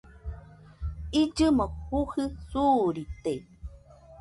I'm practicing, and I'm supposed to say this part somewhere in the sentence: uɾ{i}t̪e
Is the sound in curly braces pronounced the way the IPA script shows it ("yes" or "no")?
yes